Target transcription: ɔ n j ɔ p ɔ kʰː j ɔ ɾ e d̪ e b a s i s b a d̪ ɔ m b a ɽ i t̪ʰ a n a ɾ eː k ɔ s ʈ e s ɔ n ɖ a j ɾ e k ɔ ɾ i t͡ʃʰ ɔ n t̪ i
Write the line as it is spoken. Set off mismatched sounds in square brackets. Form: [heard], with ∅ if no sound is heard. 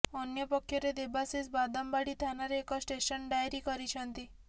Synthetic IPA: ɔ n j ɔ p ɔ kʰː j ɔ ɾ e d̪ e b a s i s b a d̪ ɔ m b a ɽ i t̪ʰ a n a ɾ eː k ɔ s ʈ e s ɔ n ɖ a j ɾ [i] k ɔ ɾ i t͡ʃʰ ɔ n t̪ i